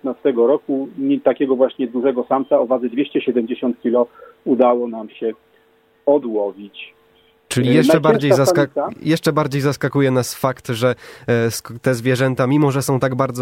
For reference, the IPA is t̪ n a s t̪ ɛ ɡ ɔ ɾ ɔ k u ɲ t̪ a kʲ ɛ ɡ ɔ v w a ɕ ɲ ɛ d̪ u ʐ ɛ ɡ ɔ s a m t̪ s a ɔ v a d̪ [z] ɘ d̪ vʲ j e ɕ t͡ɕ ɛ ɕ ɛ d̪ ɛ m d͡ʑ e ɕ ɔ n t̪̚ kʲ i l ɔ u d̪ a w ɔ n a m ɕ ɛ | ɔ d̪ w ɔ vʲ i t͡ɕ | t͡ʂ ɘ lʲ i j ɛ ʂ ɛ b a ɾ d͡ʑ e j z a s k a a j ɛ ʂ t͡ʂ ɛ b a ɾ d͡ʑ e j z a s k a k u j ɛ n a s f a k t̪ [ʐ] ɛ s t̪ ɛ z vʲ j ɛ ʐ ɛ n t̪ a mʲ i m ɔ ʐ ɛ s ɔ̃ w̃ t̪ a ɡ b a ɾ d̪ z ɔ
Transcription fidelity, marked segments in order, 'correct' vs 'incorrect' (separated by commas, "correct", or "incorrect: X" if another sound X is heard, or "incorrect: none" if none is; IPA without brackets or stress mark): correct, correct